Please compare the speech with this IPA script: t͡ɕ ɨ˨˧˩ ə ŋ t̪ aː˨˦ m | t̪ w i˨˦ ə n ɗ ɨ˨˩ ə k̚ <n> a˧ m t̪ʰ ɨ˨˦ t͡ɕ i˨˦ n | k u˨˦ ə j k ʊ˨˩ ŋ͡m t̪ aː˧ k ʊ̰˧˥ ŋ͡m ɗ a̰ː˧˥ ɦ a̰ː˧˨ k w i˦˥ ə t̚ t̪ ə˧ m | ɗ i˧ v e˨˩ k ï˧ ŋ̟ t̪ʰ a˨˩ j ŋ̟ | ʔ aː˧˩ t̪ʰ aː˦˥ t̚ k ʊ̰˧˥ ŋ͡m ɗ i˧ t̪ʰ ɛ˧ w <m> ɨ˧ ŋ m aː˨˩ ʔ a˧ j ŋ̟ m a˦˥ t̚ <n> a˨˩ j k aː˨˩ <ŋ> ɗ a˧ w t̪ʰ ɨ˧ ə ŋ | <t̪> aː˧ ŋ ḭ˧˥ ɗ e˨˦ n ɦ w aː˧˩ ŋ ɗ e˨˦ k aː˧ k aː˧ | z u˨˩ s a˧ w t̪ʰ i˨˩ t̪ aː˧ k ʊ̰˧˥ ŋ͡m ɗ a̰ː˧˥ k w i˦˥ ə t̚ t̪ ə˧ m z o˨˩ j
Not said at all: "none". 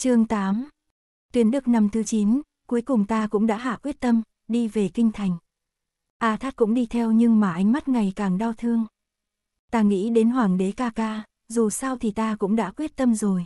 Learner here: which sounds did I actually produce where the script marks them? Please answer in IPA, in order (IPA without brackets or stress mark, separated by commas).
n, ɲ, ŋ, ŋ, t̪